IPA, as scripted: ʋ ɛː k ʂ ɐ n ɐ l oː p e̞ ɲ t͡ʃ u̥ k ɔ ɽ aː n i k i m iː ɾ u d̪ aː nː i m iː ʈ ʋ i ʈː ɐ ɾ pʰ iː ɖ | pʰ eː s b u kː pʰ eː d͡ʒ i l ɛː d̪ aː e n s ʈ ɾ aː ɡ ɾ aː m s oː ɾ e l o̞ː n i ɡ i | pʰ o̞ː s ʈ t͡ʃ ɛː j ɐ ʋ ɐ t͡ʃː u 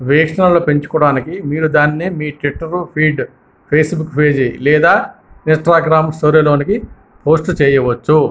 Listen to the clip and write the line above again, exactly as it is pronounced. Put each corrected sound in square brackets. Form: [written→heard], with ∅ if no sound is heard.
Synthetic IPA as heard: ʋ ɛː k ʂ ɐ n ɐ l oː p e̞ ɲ t͡ʃ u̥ k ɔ ɽ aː n i k i m iː ɾ u d̪ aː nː i m iː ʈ ʋ i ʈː ɐ ɾ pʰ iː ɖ | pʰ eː s b u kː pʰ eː d͡ʒ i l ɛː d̪ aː [e→i] n s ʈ ɾ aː ɡ ɾ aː m s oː ɾ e l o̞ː n i [ɡ→k] i | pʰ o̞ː s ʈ t͡ʃ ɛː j ɐ ʋ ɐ t͡ʃː u

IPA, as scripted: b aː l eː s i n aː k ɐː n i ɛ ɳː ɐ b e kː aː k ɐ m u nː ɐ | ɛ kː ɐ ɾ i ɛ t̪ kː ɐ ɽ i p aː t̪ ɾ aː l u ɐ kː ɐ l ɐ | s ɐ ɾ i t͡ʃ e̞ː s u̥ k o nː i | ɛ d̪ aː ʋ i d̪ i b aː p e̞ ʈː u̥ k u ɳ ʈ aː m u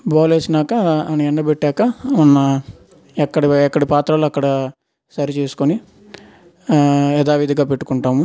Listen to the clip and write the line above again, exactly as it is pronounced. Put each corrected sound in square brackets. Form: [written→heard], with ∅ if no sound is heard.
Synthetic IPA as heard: b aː l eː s i n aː k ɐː n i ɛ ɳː ɐ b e [kː→ʈː] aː k ɐ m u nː ɐ | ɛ kː ɐ [ɾ→ɽ] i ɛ [t̪→∅] kː ɐ ɽ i p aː t̪ ɾ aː l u ɐ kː ɐ [l→ɽ] ɐ | s ɐ ɾ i t͡ʃ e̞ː s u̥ k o [nː→n] i | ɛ d̪ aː ʋ i d̪ i [b→ɡ] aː p e̞ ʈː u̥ k u ɳ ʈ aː m u

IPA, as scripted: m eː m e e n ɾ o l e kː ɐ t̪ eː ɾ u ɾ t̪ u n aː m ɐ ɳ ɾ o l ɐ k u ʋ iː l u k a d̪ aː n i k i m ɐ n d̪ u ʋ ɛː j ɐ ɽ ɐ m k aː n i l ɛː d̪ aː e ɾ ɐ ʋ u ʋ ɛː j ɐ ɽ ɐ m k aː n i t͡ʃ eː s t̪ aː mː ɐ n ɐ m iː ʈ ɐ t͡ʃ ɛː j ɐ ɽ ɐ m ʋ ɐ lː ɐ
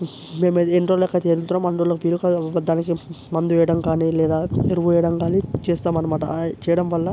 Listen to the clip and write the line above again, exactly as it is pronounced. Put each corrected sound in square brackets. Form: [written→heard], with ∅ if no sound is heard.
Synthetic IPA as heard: m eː m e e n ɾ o l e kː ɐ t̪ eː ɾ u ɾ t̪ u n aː m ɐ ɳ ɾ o l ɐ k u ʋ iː l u k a d̪ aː n i k i m ɐ n d̪ u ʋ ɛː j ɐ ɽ ɐ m k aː n i l ɛː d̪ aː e ɾ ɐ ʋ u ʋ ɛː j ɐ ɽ ɐ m k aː n i t͡ʃ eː s t̪ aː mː ɐ n ɐ m [iː→aː] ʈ ɐ t͡ʃ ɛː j ɐ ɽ ɐ m ʋ ɐ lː ɐ

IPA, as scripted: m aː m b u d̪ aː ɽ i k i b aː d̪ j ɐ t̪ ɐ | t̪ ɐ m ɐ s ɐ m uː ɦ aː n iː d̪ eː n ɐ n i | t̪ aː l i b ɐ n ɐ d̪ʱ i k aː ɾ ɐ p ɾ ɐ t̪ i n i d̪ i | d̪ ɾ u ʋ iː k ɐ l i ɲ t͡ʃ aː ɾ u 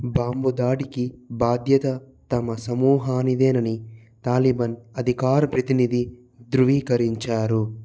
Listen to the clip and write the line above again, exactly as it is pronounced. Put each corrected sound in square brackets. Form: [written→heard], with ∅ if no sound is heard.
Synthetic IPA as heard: [m→b] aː m b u d̪ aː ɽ i k i b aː d̪ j ɐ t̪ ɐ | t̪ ɐ m ɐ s ɐ m uː ɦ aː n [iː→i] d̪ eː n ɐ n i | t̪ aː l i b ɐ n ɐ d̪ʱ i k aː ɾ ɐ p ɾ ɐ t̪ i n i d̪ i | d̪ ɾ u ʋ iː k ɐ [l→ɾ] i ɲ t͡ʃ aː ɾ u

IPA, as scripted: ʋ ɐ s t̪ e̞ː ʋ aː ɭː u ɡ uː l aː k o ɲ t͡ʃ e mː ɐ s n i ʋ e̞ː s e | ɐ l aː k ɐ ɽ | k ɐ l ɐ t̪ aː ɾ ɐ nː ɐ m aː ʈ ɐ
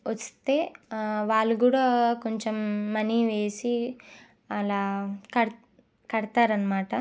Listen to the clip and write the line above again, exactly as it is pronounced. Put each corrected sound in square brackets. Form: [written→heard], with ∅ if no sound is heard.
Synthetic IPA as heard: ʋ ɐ s t̪ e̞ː ʋ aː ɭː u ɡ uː [l→ɽ] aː k o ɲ t͡ʃ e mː ɐ [s→∅] n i ʋ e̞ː s [e→i] | ɐ l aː k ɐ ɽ | k ɐ [l→ɽ] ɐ t̪ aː ɾ ɐ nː ɐ m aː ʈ ɐ

